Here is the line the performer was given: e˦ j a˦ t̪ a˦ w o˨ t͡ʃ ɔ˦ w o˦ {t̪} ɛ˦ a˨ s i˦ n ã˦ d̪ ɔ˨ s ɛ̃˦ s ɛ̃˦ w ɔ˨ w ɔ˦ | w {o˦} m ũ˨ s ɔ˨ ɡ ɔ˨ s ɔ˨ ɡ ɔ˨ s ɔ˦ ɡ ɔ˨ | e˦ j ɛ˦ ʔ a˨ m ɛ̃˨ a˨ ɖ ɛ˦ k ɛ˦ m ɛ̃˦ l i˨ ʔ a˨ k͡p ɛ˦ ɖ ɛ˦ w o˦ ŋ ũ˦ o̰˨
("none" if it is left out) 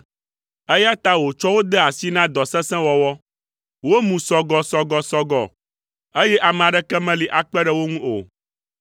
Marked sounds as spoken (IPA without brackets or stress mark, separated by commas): d̪, o˦